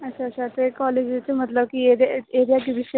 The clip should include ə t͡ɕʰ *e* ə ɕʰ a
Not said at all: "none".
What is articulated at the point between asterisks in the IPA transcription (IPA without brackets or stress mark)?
a